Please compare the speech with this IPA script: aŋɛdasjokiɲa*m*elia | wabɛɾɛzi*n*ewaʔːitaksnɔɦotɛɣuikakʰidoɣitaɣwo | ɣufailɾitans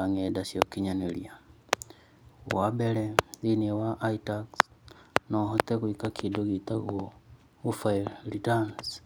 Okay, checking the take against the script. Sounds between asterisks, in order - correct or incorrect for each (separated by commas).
incorrect, correct